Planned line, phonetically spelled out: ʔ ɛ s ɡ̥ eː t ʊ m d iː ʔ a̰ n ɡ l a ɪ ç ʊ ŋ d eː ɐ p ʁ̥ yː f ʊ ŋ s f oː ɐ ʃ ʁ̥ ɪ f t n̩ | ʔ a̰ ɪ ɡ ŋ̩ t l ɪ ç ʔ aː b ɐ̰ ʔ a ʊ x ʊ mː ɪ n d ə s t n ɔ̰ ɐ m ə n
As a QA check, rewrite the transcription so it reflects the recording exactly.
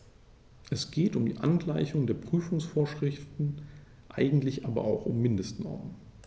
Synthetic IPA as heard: ʔ ɛ s ɡ̥ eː t ʊ m d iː ʔ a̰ n ɡ l a ɪ ç ʊ ŋ d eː ɐ p ʁ̥ yː f ʊ ŋ s f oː ɐ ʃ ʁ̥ ɪ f t n̩ | ʔ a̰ ɪ ɡ ŋ̩ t l ɪ ç ʔ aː b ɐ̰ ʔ a ʊ x ʊ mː ɪ n d ə s t n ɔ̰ ɐ m ə n